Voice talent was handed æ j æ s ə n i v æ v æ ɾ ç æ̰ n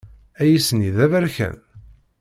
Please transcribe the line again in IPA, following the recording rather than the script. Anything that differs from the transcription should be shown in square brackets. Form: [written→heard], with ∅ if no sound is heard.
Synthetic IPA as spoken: æ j [æ→i] s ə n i [v→ð] æ v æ ɾ ç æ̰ n